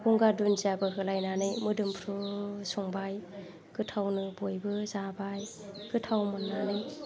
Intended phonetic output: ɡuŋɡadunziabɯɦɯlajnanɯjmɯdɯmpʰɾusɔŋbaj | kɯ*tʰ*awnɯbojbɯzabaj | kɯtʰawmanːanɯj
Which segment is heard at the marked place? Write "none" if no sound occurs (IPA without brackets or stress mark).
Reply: tʰ